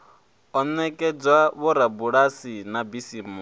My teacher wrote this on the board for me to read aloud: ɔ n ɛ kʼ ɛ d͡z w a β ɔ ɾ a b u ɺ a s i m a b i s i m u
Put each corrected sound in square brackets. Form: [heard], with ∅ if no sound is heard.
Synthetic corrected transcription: ɔ n ɛ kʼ ɛ d͡z w a β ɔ ɾ a b u ɺ a s i [n] a b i s i m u